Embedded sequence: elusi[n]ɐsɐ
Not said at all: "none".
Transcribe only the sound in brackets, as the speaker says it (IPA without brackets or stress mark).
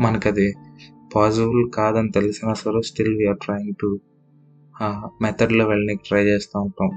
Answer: n